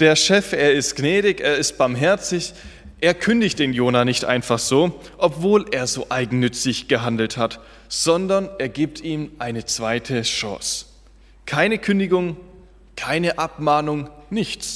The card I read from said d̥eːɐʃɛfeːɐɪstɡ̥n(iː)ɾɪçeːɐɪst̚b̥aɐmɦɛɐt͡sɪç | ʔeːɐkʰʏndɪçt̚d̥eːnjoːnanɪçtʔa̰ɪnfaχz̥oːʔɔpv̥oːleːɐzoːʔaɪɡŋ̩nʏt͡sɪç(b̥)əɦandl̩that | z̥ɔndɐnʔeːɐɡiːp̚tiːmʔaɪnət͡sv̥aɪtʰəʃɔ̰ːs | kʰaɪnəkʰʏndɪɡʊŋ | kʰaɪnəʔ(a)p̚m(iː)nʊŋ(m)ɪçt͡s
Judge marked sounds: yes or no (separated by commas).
no, no, yes, no, no